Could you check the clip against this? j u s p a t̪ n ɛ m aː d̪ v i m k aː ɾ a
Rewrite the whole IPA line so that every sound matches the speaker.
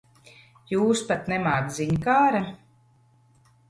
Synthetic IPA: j uː s p a t̪ n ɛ m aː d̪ z i ɲ k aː ɾ a

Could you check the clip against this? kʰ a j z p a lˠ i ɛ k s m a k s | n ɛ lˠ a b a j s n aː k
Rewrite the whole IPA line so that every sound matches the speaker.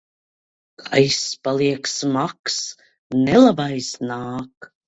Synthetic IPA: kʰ a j s p a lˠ i ɛ k s m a k s | n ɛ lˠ a b a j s n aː k

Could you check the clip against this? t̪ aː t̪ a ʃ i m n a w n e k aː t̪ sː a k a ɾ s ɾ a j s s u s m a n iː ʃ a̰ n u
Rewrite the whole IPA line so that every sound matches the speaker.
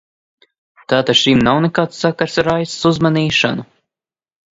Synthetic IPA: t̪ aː t̪ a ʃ i m n a w n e k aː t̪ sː a k a ɾ s ɾ a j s s u z m a n iː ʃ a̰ n u

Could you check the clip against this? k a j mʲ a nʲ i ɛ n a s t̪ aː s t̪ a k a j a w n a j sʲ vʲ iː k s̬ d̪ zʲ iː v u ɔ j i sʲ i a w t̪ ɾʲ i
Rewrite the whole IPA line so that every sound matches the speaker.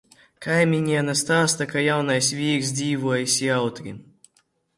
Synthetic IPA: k a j mʲ i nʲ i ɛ n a s t̪ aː s t̪ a k a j a w n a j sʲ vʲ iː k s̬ d̪ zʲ iː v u ɔ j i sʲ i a w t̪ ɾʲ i

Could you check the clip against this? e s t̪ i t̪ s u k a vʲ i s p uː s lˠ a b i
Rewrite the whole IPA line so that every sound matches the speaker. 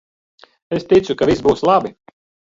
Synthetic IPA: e s t̪ i t̪ s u k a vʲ i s b uː s lˠ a b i

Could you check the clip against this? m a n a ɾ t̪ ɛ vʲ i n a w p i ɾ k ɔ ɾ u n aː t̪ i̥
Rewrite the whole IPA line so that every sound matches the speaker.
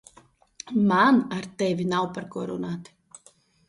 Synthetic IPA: m a n a ɾ t̪ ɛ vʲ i n a w p a ɾ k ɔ ɾ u n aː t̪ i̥

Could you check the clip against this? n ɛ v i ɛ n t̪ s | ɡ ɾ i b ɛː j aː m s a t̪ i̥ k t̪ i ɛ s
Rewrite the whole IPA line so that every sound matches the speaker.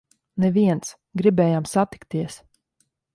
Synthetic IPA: n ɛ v i ɛ n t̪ s | ɡ ɾ i b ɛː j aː m s a t̪ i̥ k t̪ i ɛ s

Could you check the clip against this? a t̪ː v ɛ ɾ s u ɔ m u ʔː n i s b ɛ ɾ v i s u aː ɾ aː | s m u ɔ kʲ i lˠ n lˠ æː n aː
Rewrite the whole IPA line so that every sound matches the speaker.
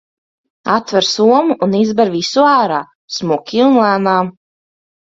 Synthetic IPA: a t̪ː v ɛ ɾ s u ɔ m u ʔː n i z b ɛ ɾ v i s u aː ɾ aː | s m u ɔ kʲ i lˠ n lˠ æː n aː

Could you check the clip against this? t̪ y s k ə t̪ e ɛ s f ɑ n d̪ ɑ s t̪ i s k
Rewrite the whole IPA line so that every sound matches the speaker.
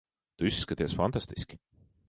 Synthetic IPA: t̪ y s k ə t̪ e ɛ s f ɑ n t̪ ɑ s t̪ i s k

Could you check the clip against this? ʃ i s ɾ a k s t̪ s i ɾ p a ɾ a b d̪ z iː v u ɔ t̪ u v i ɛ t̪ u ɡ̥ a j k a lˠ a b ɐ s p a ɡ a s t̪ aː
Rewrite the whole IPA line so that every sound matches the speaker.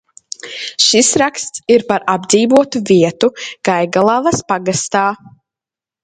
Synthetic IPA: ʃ i s ɾ a k s t̪ s i ɾ p a ɾ a b d̪ z iː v u ɔ t̪ u v i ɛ t̪ u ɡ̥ a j ɡ a lˠ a v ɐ s p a ɡ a s t̪ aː

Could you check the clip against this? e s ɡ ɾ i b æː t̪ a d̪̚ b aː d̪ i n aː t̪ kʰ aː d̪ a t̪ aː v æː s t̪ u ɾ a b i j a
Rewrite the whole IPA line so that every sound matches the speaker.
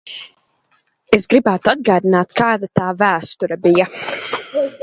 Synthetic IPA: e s ɡ ɾ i b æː t̪ a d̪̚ ɡ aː d̪ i n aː t̪ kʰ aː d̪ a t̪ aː v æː s t̪ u ɾ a b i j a

